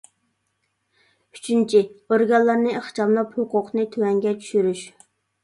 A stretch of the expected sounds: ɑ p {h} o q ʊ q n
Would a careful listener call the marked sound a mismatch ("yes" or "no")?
no